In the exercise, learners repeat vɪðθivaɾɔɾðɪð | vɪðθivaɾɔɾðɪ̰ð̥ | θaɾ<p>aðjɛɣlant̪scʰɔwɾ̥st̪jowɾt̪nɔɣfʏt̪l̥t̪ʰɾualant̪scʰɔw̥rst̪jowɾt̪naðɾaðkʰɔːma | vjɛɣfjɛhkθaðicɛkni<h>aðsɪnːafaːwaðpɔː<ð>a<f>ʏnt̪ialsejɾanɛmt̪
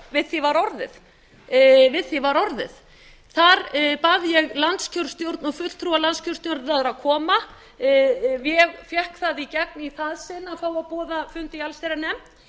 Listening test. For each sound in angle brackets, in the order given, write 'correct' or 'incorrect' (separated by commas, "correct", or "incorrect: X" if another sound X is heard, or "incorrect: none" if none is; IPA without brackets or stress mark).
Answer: correct, incorrect: θ, correct, correct